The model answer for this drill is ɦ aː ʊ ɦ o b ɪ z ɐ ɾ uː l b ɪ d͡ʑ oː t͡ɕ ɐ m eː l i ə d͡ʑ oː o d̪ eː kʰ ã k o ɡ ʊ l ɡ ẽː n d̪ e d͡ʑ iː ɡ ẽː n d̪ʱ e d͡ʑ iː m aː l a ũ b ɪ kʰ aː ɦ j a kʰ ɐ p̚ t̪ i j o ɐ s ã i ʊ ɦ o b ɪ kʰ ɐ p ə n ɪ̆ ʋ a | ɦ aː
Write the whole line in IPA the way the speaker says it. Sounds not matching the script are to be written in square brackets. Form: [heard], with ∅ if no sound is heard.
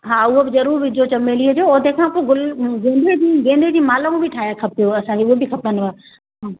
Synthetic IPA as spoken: ɦ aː ʊ ɦ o b ɪ z ɐ ɾ uː [ɾ] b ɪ d͡ʑ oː t͡ɕ ɐ m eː l i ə d͡ʑ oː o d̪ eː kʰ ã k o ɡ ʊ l ɡ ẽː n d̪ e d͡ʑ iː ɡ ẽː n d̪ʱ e d͡ʑ iː m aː l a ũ b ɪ [ʈʰ] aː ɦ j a kʰ ɐ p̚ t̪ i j o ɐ s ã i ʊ ɦ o b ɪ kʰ ɐ p ə n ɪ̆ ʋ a | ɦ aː

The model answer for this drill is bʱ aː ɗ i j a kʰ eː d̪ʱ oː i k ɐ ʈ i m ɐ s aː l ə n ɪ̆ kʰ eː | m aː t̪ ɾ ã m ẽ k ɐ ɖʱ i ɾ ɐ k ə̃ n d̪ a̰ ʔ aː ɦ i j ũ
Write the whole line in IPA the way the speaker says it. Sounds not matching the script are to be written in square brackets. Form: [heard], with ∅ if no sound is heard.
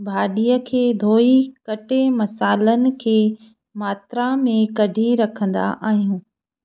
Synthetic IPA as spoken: bʱ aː ɗ i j [ə] kʰ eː d̪ʱ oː i k ɐ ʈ [e] m ɐ s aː l ə n ɪ̆ kʰ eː | m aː t̪ ɾ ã m ẽ k ɐ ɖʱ i ɾ ɐ [kʰ] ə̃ n d̪ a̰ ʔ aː ɦ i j [ũː]

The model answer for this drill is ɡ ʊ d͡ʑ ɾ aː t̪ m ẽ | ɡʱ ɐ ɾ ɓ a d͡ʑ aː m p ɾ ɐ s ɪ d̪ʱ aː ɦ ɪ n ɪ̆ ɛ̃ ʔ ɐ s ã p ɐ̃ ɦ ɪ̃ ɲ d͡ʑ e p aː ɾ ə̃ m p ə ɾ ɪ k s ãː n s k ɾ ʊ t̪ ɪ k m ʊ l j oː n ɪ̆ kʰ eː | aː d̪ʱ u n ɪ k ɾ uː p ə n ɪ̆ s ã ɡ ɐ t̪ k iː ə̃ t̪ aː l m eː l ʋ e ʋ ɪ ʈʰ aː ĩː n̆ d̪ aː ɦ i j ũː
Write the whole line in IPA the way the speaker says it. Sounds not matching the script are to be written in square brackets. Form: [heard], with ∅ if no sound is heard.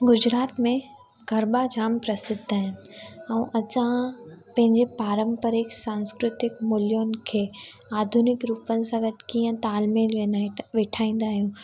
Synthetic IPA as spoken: ɡ ʊ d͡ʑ ɾ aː t̪ m ẽ | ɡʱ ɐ ɾ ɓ a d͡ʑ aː m p ɾ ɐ s ɪ d̪ʱ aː ɦ ɪ n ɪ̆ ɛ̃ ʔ ɐ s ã p ɐ̃ ɦ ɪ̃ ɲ d͡ʑ e p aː ɾ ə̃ m p ə ɾ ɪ k s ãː n s k ɾ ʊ t̪ ɪ k m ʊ l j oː n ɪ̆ kʰ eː | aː d̪ʱ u n ɪ k ɾ uː p ə n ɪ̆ s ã ɡ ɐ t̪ k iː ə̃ t̪ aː l m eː l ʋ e ʋ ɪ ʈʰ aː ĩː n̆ d̪ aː ɦ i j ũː

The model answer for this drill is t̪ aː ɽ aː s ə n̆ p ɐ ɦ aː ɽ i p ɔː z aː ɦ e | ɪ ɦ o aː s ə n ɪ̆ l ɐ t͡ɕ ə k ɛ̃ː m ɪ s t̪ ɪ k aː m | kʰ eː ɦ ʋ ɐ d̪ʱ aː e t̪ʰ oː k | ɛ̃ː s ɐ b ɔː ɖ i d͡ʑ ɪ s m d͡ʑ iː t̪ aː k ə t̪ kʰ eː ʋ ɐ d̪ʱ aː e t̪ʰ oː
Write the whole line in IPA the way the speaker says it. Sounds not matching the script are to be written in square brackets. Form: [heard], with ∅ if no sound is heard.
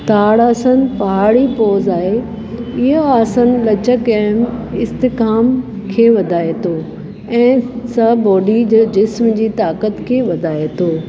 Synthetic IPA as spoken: t̪ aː ɽ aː s ə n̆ p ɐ ɦ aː ɽ i p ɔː z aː ɦ e | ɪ ɦ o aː s ə n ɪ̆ l ɐ t͡ɕ ə k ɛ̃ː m ɪ s t̪ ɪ k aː m | kʰ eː [∅] ʋ ɐ d̪ʱ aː e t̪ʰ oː [∅] | ɛ̃ː s ɐ b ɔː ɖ i d͡ʑ ɪ s m d͡ʑ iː t̪ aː k ə t̪ kʰ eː ʋ ɐ d̪ʱ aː e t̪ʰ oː

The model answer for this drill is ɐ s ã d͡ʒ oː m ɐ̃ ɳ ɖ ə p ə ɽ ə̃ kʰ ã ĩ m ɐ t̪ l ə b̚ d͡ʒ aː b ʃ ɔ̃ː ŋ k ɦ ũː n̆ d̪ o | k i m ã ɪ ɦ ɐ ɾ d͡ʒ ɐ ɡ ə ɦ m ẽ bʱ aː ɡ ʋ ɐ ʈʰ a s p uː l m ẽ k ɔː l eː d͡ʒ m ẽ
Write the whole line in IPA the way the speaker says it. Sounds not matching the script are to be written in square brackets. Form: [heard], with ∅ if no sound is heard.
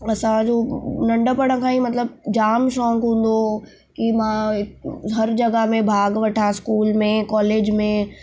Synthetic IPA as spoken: ɐ s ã d͡ʒ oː [n] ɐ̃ ɳ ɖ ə p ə ɽ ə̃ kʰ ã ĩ m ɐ t̪ l ə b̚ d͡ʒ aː [m] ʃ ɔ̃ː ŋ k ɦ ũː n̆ d̪ o | k i m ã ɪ ɦ ɐ ɾ d͡ʒ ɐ ɡ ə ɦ m ẽ bʱ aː ɡ ʋ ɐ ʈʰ a s [k] uː l m ẽ k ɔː l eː d͡ʒ m ẽ

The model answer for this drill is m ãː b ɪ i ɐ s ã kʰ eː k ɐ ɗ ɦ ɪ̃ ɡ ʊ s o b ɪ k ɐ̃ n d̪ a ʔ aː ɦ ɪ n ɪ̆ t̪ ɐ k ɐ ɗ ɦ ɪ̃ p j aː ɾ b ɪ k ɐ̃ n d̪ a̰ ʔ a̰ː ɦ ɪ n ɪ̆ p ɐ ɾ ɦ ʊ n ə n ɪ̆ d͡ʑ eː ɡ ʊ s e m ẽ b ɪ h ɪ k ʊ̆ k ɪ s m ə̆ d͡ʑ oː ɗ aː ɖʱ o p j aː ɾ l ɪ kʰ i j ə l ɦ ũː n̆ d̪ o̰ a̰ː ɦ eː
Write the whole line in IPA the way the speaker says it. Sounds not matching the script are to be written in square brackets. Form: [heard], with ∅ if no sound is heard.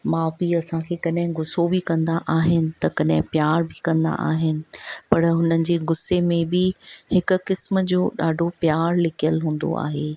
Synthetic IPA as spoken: m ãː b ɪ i ɐ s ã kʰ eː k ɐ ɗ ɦ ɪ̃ ɡ ʊ s o b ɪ k ɐ̃ n d̪ a ʔ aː ɦ ɪ n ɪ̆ t̪ ɐ k ɐ ɗ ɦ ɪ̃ p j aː ɾ b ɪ k ɐ̃ n d̪ a̰ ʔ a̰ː ɦ ɪ n ɪ̆ p ɐ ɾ ɦ ʊ n ə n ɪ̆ d͡ʑ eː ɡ ʊ s e m ẽ b ɪ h ɪ k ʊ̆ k ɪ s m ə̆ d͡ʑ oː ɗ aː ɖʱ o p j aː ɾ l ɪ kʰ i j ə l ɦ ũː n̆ d̪ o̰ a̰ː ɦ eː

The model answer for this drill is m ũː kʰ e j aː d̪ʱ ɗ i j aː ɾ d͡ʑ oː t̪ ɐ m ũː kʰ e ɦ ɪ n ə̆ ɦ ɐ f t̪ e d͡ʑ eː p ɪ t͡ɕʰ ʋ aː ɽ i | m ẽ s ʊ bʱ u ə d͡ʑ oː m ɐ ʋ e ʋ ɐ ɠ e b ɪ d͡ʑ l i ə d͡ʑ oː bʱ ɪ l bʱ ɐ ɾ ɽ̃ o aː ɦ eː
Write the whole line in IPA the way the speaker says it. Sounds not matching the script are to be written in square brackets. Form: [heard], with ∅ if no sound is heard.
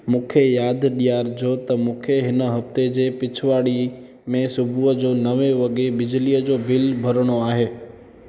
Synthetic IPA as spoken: m ũː kʰ e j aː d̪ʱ ɗ i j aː ɾ d͡ʑ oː t̪ ɐ m ũː kʰ e ɦ ɪ n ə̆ ɦ ɐ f t̪ e d͡ʑ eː p ɪ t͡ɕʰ ʋ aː ɽ i | m ẽ s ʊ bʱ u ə d͡ʑ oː [n] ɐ ʋ e ʋ ɐ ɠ e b ɪ d͡ʑ l i ə d͡ʑ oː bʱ ɪ l bʱ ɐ ɾ ɽ̃ o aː ɦ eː

